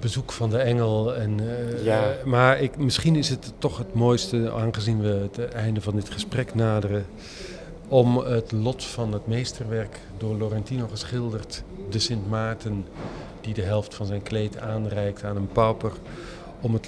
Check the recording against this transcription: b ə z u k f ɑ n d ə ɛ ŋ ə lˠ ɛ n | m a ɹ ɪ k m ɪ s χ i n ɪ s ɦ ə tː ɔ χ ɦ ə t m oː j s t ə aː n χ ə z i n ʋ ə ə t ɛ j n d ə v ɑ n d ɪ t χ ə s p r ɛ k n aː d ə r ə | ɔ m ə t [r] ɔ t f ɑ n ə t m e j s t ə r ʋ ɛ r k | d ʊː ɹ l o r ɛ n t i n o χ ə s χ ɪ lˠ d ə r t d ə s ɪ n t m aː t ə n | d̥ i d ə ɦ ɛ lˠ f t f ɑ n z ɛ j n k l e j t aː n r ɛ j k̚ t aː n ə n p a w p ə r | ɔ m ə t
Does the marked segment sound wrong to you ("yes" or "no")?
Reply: yes